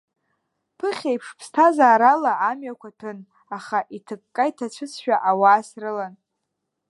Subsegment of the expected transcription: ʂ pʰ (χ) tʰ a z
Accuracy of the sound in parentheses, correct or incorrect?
incorrect: s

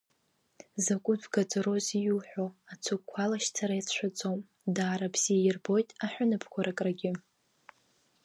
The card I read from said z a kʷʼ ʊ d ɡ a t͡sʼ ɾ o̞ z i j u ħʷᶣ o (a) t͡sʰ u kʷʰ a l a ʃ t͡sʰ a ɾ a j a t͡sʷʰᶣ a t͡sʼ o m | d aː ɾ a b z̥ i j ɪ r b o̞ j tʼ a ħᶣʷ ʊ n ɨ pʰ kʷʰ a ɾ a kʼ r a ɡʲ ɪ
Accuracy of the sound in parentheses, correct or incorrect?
correct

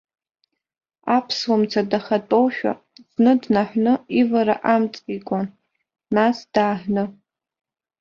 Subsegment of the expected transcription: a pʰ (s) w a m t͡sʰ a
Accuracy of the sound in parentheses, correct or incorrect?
correct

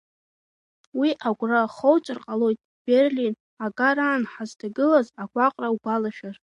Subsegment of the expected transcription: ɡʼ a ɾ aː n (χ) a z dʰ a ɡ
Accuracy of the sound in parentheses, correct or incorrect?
incorrect: ħ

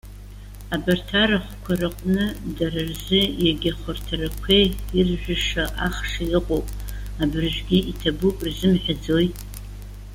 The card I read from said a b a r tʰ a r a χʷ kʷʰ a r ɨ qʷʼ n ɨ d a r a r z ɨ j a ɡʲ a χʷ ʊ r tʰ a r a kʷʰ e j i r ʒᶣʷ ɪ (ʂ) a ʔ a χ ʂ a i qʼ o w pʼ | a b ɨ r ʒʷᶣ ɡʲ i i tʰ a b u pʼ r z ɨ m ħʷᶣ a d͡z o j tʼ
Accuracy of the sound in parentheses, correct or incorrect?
correct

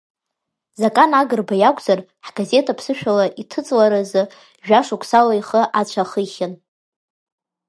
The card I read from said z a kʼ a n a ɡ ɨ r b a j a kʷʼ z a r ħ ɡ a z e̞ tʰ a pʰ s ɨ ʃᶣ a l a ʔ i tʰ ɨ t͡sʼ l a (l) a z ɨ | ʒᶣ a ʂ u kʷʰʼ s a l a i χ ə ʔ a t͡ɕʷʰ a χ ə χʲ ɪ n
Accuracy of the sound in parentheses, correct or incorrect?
incorrect: ɾ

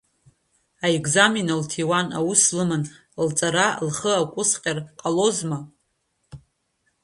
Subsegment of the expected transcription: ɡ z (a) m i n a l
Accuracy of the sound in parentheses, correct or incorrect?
correct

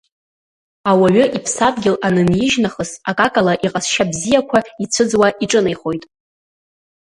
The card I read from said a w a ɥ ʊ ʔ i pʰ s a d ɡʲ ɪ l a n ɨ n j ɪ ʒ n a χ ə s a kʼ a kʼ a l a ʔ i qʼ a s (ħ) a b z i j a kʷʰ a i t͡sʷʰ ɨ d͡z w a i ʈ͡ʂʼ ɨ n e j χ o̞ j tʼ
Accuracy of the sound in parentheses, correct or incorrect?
incorrect: ʃ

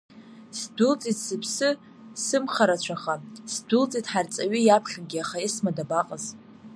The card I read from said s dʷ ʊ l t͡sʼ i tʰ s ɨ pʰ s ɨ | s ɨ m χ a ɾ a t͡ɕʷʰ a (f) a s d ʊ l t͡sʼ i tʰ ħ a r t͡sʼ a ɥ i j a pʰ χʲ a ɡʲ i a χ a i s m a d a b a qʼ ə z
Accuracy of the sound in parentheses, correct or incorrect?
incorrect: χ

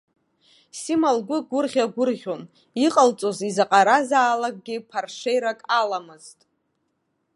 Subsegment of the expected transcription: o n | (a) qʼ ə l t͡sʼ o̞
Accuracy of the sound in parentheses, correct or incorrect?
incorrect: i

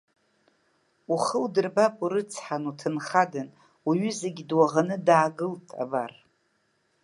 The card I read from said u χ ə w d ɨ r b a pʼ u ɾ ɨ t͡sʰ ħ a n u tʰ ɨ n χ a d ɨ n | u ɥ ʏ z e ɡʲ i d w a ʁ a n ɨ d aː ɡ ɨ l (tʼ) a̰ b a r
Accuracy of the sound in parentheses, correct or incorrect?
correct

